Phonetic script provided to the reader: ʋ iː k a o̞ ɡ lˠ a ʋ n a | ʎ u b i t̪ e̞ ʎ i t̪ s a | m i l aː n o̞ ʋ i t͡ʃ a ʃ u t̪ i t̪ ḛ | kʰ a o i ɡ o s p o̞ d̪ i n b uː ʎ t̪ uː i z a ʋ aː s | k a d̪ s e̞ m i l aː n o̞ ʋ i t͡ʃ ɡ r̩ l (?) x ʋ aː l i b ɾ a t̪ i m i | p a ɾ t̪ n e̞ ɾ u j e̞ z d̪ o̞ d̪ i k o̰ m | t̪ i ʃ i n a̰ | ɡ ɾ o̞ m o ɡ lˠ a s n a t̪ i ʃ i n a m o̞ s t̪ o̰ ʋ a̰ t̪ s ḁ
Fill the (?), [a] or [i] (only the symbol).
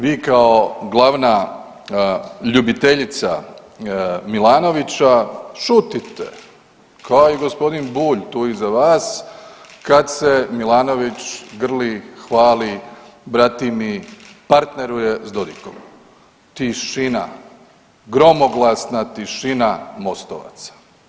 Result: i